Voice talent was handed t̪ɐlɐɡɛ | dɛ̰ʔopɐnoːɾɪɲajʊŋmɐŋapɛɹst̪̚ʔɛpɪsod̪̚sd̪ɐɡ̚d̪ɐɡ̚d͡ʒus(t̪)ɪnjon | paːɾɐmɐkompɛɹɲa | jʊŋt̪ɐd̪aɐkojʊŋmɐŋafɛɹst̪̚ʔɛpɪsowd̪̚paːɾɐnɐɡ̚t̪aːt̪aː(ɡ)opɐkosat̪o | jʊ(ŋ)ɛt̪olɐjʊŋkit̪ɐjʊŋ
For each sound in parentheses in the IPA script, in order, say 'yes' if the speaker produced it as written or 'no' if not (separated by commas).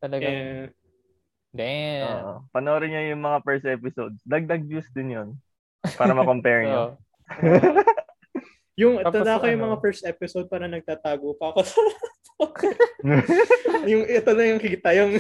no, yes, yes